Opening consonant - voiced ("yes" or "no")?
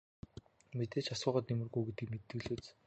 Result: yes